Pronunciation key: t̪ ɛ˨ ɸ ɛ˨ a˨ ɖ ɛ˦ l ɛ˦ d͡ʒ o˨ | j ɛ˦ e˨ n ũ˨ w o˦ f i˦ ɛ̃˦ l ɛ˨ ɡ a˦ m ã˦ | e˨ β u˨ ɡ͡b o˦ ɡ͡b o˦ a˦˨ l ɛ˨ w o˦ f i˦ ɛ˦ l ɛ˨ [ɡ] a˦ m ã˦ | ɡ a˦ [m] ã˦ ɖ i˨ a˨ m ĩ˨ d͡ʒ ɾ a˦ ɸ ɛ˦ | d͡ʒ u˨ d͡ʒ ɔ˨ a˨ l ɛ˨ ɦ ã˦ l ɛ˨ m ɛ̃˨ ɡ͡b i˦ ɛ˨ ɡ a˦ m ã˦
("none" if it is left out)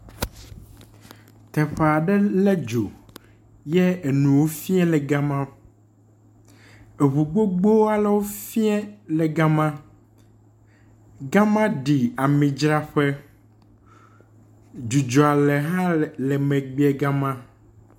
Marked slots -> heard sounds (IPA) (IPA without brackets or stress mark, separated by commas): ɡ, m